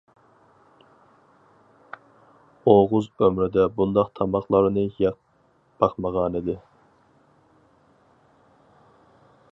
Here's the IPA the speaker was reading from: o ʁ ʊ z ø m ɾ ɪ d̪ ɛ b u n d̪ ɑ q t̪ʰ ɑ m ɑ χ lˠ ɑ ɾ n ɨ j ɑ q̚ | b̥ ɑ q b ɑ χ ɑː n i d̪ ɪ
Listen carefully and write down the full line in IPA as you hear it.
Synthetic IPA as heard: o ʁ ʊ z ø m ɾ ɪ d̪ ɛ b u n d̪ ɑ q t̪ʰ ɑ m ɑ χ lˠ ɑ ɾ n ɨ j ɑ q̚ | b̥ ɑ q m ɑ ʁ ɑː n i d̪ ɪ